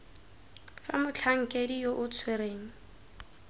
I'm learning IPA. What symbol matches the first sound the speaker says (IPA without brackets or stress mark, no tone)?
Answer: f